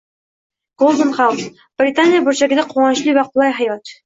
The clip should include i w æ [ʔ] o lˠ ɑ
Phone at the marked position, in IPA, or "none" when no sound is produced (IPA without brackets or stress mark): q